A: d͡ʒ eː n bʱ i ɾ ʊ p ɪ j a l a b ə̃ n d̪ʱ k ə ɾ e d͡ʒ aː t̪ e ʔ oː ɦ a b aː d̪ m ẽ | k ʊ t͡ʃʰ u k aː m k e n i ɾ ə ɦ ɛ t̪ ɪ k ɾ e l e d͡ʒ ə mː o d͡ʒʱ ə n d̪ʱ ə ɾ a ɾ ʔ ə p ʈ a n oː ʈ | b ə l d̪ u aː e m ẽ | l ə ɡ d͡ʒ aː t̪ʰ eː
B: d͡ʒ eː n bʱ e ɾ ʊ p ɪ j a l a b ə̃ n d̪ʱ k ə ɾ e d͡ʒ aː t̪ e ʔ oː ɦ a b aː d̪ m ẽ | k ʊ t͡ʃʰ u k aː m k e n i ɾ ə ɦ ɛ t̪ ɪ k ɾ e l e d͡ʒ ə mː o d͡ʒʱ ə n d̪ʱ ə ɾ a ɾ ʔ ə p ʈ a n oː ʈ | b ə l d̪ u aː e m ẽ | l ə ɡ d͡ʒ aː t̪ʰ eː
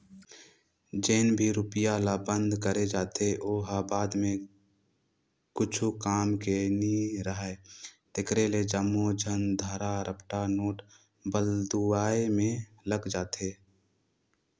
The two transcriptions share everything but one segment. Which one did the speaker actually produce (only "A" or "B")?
A